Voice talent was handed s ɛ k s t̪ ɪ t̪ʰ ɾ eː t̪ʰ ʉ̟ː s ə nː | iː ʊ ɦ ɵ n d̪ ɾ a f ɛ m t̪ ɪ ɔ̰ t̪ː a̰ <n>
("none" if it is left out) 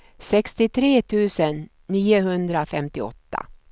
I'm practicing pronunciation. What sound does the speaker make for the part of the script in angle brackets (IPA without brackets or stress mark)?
none